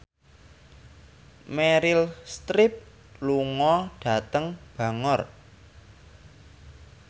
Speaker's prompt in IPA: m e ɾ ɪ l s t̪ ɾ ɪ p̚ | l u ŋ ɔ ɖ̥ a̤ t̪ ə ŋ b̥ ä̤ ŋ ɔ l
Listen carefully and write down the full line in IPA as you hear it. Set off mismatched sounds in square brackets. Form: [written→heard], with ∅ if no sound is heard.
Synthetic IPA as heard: m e ɾ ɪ l s t̪ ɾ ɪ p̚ | l u ŋ ɔ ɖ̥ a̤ t̪ ə ŋ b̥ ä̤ ŋ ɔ [l→r]